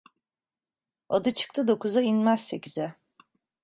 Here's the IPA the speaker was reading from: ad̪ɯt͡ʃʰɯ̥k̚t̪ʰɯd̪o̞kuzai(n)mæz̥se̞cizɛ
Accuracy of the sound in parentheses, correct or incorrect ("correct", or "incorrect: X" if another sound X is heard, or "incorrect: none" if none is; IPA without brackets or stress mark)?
correct